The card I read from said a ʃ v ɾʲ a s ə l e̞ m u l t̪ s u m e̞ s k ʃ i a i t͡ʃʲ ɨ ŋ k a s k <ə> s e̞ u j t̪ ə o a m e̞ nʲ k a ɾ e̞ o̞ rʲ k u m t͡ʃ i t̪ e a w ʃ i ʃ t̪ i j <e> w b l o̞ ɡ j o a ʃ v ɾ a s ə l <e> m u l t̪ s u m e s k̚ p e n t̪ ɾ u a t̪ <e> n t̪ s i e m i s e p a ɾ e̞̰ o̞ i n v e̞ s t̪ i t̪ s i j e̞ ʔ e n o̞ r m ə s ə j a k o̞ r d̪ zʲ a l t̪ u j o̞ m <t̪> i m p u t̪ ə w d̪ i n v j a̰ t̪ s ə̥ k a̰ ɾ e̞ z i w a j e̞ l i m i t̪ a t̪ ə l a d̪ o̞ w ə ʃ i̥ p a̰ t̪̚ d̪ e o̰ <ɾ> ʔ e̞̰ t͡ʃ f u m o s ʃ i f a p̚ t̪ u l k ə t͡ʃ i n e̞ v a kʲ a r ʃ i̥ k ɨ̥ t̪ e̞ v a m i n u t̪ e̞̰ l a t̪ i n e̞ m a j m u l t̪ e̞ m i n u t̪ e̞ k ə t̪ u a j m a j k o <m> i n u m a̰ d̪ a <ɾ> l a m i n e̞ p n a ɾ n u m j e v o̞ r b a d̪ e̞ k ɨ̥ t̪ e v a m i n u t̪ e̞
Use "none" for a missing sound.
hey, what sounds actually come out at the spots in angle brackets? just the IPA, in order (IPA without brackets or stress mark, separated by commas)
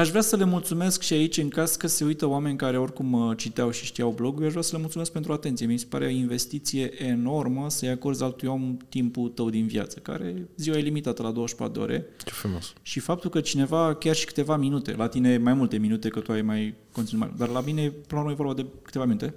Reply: ə, a, e, e, t̪, ɾ, n, r